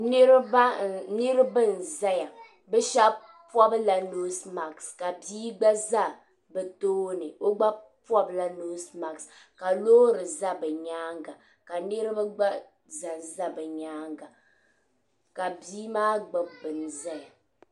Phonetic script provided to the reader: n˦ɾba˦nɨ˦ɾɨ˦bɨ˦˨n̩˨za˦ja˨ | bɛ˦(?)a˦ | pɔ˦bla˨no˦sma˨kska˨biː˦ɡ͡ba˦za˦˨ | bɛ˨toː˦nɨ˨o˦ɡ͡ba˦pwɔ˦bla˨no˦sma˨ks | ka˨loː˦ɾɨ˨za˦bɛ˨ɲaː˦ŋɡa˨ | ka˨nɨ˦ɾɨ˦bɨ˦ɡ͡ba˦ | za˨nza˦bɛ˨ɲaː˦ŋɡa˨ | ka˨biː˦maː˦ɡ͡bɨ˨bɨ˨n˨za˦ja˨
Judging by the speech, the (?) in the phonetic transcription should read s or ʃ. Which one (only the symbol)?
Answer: ʃ